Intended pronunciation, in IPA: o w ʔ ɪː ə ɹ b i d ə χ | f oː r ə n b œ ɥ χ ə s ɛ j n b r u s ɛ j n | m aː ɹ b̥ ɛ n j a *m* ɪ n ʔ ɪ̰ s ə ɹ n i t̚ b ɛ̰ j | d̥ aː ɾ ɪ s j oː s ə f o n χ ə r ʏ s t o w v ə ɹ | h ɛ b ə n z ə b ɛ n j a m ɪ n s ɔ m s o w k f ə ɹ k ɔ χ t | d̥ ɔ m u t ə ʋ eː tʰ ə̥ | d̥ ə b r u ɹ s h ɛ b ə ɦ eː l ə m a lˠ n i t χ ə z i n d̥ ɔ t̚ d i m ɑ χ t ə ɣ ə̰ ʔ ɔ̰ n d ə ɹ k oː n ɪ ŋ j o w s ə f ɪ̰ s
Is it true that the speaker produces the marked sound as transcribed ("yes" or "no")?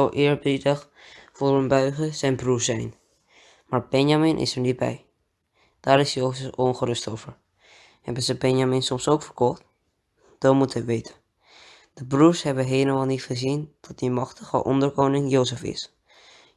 yes